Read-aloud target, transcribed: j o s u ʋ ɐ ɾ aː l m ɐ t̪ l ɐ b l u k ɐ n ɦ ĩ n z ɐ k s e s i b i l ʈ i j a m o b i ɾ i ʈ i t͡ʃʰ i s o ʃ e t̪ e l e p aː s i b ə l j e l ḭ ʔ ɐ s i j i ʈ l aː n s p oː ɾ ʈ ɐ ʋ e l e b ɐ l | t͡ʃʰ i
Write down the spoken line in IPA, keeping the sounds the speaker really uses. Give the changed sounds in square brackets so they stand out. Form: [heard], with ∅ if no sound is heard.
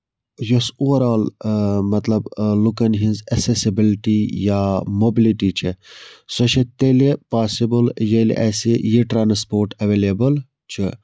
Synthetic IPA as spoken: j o s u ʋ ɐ ɾ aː l m ɐ t̪ l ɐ b l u k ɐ n ɦ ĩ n z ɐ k s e s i b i l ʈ i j a m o b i [l] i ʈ i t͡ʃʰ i s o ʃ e t̪ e l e p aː s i b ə l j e l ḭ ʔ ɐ s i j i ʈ [ɾ] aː n s p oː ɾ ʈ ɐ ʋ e l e b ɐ l | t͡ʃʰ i